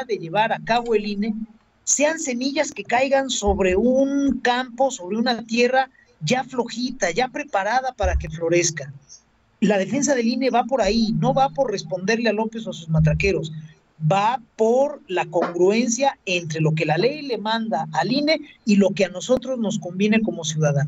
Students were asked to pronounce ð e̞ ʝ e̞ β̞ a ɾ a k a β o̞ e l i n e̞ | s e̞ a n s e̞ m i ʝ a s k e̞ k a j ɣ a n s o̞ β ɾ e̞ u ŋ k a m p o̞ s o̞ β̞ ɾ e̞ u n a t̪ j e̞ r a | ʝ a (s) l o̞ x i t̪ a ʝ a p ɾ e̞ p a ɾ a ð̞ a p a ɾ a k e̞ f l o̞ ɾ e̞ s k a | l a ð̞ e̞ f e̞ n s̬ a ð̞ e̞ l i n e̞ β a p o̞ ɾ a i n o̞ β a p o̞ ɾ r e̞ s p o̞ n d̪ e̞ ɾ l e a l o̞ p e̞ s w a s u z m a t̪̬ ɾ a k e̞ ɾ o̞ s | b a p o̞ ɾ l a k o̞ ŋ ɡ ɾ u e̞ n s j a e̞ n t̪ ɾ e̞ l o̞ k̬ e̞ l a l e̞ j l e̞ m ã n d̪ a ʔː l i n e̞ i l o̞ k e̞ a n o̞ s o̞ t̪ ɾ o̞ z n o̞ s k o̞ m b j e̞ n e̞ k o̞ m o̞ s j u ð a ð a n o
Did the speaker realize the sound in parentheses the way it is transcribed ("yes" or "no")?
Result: no